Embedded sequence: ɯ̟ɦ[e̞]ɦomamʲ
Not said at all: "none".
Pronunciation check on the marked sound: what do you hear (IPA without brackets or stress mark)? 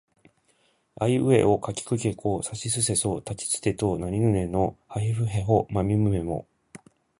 e̞